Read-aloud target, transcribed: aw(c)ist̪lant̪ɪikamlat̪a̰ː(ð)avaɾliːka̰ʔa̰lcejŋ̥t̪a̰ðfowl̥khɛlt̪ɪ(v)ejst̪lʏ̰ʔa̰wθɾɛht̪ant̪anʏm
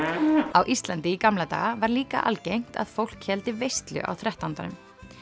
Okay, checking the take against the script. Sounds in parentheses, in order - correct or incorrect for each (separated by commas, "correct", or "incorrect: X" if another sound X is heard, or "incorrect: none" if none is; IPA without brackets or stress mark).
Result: incorrect: ʔ, incorrect: ɣ, correct